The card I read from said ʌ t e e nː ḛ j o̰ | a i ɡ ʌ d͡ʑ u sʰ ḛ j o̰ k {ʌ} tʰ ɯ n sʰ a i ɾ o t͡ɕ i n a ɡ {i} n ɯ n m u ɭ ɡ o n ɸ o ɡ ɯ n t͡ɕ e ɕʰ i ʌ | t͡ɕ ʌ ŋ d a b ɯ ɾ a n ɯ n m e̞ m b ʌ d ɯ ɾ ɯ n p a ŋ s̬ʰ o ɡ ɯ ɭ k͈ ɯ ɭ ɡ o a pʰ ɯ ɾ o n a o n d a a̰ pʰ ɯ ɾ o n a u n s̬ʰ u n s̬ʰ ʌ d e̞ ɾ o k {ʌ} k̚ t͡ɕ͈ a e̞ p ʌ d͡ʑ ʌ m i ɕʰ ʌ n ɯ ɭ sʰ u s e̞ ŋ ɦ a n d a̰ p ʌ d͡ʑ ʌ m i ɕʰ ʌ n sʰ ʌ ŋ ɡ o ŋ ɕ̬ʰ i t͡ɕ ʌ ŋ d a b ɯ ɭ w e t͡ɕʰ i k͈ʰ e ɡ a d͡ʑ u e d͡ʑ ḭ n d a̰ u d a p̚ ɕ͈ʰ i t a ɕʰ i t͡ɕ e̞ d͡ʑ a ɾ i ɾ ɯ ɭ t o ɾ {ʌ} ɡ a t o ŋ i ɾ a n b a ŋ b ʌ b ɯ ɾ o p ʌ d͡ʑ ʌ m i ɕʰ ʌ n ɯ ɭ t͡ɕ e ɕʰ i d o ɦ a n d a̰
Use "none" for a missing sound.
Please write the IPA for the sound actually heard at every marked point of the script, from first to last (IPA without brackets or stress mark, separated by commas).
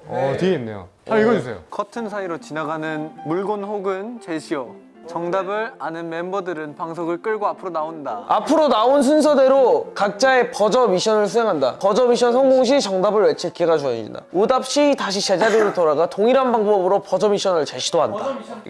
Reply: ʌ, a, a, a